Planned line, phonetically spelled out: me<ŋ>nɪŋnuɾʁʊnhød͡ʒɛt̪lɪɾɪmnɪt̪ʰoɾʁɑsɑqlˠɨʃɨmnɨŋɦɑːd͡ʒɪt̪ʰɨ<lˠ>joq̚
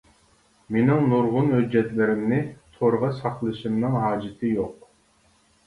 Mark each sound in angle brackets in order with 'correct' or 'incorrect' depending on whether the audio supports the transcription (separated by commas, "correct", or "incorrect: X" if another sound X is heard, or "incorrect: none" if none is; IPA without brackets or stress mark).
incorrect: none, incorrect: none